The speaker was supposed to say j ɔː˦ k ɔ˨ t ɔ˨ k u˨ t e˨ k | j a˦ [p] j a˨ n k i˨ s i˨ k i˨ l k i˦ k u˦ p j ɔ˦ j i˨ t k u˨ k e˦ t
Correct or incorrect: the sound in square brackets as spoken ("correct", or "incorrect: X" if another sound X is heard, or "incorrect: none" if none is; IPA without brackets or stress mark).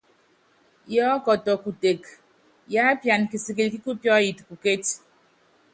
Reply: correct